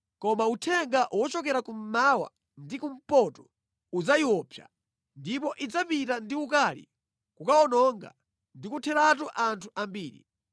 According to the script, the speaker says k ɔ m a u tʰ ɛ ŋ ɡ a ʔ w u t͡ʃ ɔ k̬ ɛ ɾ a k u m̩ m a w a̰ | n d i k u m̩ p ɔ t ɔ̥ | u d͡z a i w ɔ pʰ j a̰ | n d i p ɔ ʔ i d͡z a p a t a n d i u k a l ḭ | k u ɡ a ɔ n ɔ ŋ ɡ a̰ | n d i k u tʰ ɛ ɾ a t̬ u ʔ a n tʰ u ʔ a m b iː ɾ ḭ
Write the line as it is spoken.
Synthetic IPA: k ɔ m a u tʰ ɛ ŋ ɡ a ʔ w ɔ t͡ʃ ɔ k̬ ɛ ɾ a k u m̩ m a w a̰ | n d i k u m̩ p ɔ t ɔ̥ | u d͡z a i w ɔ pʰ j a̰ | n d i p ɔ ʔ i d͡z a p i t a n d i u k a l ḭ | k u k a ɔ n ɔ ŋ ɡ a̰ | n d i k u tʰ ɛ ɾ a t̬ u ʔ a n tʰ u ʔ a m b iː ɾ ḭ

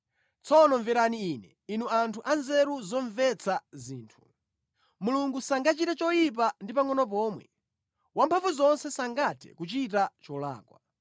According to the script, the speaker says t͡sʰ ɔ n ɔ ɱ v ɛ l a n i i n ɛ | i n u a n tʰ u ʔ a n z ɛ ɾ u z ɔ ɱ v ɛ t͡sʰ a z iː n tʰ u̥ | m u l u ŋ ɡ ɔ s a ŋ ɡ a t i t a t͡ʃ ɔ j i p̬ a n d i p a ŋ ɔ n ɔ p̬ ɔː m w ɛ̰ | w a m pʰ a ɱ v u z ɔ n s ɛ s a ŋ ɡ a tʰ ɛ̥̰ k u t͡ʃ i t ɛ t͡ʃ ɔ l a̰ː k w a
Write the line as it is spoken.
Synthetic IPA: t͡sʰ ɔ n ɔ ɱ v ɛ ɾ a n i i n ɛ | i n u a n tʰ u ʔ a n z ɛ ɾ u z ɔ ɱ v ɛ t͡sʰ a z iː n tʰ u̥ | m u l u ŋ ɡ u s a ŋ ɡ a t͡ʃ i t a t͡ʃ ɔ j i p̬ a n d i p a ŋ ɔ n ɔ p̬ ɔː m w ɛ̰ | w a m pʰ a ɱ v u z ɔ n s ɛ s a ŋ ɡ a tʰ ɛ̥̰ k u t͡ʃ i t a t͡ʃ ɔ l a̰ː k w a

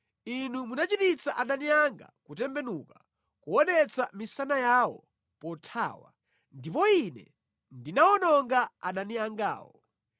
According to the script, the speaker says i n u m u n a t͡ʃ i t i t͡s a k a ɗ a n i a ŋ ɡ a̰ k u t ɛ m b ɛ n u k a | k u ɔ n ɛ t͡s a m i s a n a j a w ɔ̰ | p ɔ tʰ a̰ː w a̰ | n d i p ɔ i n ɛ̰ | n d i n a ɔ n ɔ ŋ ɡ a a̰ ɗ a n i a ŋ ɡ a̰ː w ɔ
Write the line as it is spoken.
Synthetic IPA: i n u m u n a t͡ʃ i t i t͡s a ʔ a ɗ a n i a ŋ ɡ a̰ k u t ɛ m b ɛ n u k a | k u ɔ n ɛ t͡s a m i s a n a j a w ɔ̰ | p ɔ tʰ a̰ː w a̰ | n d i p ɔ i n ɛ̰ | n d i n a ɔ n ɔ ŋ ɡ a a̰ ɗ a n i a ŋ ɡ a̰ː w ɔ

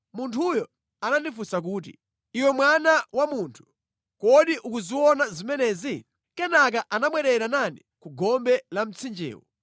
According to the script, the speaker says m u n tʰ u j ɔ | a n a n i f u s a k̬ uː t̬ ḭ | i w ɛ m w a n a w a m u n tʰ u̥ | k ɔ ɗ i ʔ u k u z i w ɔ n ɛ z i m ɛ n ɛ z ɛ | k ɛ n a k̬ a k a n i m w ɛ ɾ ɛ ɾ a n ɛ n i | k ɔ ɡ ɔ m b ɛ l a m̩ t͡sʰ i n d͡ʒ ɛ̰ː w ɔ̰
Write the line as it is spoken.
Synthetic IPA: m u n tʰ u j ɔ | a n a n i f u s a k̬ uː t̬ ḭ | i w ɛ m w a n a w a m u n tʰ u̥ | k ɔ ɗ i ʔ u k u z i w ɔ n a z i m ɛ n ɛ z i | k ɛ n a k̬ a ʔ a n a m w ɛ ɾ ɛ ɾ a n a n i | k u ɡ ɔ m b ɛ l a m̩ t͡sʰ i n d͡ʒ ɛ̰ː w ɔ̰

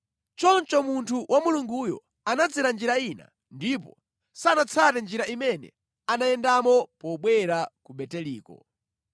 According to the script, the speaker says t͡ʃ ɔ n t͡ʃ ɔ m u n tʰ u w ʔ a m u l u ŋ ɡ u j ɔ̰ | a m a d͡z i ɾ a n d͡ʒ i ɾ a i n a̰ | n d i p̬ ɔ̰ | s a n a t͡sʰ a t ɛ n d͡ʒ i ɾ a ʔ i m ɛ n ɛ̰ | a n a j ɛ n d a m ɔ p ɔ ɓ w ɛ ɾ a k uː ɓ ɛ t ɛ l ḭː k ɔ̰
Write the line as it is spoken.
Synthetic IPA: t͡ʃ ɔ n t͡ʃ ɔ m u n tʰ u w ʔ a m u l u ŋ ɡ u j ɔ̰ | a n a d͡z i ɾ a n d͡ʒ i ɾ a i n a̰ | n d i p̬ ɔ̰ | s a n a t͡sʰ a t ɛ n d͡ʒ i ɾ a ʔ i m ɛ n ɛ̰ | a n a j ɛ n d a m ɔ p ɔ ɓ w ɛ ɾ a k u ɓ ɛ t ɛ l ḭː k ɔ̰

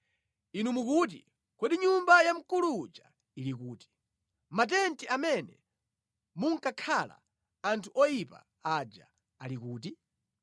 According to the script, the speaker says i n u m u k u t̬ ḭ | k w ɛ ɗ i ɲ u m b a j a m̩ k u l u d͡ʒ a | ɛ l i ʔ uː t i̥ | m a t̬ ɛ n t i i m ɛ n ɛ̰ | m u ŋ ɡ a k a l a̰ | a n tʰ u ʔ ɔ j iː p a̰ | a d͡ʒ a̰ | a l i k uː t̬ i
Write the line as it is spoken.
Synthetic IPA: i n u m u k u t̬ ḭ | k w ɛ ɗ i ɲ u m b a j a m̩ k u l u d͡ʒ a | i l i k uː t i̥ | m a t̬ ɛ n t i a m ɛ n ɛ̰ | m u ŋ k a kʰ a l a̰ | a n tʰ u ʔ ɔ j i p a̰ | a d͡ʒ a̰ | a l i k uː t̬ i

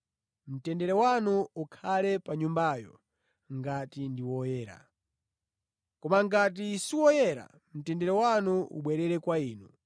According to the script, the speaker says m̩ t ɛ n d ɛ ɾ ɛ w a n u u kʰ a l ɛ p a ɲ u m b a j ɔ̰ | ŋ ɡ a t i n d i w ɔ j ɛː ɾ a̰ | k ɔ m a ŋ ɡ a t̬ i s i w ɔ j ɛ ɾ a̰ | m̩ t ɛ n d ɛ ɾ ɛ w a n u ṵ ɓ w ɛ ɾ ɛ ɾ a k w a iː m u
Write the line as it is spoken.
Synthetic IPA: m̩ t ɛ n d ɛ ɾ ɛ w a n u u kʰ a l ɛ p a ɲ u m b a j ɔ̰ | ŋ ɡ a t i n d i w ɔ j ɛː ɾ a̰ | k ɔ m a ŋ ɡ a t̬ i s i w ɔ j ɛ ɾ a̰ | m̩ t ɛ n d ɛ ɾ ɛ w a n u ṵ ɓ w ɛ ɾ ɛ ɾ ɛ k w a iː n u

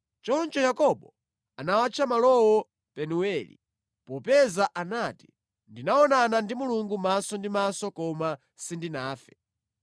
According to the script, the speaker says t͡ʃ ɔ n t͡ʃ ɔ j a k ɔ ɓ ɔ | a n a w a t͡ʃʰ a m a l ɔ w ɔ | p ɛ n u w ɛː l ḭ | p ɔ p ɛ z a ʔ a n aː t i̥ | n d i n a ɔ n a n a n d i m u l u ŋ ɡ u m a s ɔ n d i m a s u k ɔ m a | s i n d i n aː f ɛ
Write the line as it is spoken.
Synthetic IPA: t͡ʃ ɔ n t͡ʃ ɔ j a k ɔ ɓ ɔ | a n a w a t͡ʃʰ a m a l ɔ w ɔ | p ɛ n u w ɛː l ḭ | p ɔ p ɛ z a ʔ a n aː t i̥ | n d i n a ɔ n a n a n d i m u l u ŋ ɡ u m a s ɔ n d i m a s ɔ k ɔ m a | s i n d i n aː f ɛ

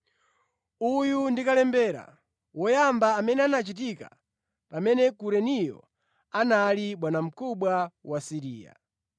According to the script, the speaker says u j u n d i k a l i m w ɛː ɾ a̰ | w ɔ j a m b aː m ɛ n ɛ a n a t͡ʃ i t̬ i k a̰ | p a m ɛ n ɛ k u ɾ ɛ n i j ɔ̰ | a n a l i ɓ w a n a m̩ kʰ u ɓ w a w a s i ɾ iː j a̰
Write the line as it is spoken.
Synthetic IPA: u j u n d i k a l ɛ m b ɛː ɾ a̰ | w ɔ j a m b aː m ɛ n ɛ a n a t͡ʃ i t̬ i k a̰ | p a m ɛ n ɛ k u ɾ ɛ n i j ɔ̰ | a n a l i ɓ w a n a m̩ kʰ u ɓ w a w a s i ɾ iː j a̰

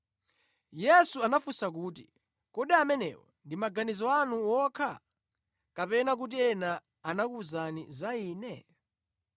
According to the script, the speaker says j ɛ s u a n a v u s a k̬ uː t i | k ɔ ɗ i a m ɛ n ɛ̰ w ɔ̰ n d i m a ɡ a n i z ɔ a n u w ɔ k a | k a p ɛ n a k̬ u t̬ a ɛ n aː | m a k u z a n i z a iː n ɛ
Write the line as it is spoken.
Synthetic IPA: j ɛ s u a n a f u s a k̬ uː t i | k ɔ ɗ i a m ɛ n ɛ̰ w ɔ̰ n d i m a ɡ a n i z ɔ a n u w ɔ kʰ a | k a p ɛ n a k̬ u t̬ i ɛ n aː | n a k u z a n i z a iː n ɛ

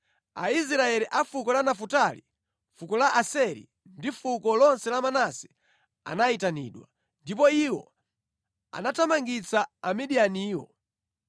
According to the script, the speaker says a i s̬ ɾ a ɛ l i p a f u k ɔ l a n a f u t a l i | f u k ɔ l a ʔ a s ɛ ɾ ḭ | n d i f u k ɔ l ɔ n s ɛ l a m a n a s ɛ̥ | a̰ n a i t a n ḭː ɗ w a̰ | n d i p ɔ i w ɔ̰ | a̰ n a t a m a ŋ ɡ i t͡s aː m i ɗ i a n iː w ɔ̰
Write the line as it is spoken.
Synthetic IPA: a i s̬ ɾ a ɛ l i ʔ a f u k ɔ l a n a f u t a l i | f u k ɔ l a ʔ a s ɛ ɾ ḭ | n d i f u k ɔ l ɔ n s ɛ l a m a n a s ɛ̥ | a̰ n a i t a n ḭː ɗ w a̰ | n d i p ɔ i w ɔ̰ | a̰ n a t a m a ŋ ɡ i t͡s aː m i ɗ i a n iː w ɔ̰

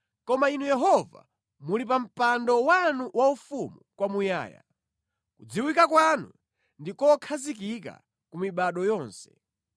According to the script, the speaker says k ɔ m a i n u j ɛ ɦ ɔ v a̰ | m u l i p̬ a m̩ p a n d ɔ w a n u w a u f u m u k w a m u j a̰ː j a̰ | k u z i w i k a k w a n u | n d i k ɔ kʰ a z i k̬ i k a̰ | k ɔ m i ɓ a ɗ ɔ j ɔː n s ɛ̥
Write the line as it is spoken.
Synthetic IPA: k ɔ m a i n u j ɛ ɦ ɔ v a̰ | m u l i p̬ a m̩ p a n d ɔ w a n u w a u f u m u k w a m u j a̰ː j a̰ | k u d͡z i w i k a k w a n u | n d i k ɔ kʰ a z i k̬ i k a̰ | k u m i ɓ a ɗ ɔ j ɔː n s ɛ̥

